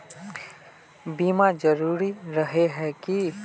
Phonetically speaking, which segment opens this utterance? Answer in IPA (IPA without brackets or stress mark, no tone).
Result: b